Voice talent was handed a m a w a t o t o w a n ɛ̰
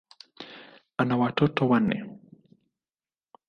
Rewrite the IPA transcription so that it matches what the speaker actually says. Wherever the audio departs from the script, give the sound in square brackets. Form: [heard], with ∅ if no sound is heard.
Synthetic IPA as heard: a [n] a w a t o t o w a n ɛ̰